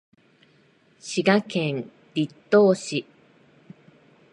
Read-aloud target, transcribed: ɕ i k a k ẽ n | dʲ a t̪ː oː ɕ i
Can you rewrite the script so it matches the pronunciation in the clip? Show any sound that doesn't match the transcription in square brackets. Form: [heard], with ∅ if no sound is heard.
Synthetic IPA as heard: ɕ i [ɡ] a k ẽ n | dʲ [i] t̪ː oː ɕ i